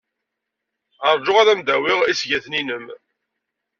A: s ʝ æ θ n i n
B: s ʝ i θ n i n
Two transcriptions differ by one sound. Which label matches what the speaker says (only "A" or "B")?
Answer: A